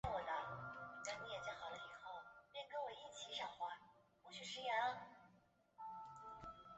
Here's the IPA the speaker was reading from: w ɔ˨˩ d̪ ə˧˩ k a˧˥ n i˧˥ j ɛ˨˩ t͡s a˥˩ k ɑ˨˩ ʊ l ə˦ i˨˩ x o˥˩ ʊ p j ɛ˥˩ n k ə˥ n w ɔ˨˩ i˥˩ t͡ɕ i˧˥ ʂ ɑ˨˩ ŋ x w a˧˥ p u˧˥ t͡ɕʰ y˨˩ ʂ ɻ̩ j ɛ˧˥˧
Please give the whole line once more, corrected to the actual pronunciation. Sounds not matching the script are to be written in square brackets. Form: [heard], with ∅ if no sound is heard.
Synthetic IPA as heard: w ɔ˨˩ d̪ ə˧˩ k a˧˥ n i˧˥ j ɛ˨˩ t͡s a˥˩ [x] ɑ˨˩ ʊ l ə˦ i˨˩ x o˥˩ ʊ p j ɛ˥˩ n k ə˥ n w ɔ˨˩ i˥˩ [t͡ɕʰ] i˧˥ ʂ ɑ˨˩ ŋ x w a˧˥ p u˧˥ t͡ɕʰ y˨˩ ʂ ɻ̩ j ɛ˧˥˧